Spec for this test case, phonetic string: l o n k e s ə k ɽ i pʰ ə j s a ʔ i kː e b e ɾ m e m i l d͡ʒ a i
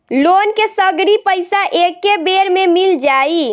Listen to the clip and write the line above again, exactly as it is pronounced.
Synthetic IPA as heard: l o n k e s ə ɡ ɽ i p ə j s a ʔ e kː e b e ɾ m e m i l d͡ʒ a i